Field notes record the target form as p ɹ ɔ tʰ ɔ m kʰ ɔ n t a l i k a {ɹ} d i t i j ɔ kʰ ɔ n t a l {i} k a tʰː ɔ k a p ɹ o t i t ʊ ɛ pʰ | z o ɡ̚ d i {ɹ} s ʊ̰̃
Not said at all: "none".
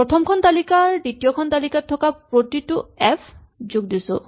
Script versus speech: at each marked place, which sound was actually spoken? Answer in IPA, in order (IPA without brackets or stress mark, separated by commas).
ɹ, i, none